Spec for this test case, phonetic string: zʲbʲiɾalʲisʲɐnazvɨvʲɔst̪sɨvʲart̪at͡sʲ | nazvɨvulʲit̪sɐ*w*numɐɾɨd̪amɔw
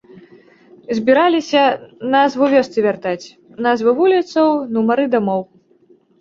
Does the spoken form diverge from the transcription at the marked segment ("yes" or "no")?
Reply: no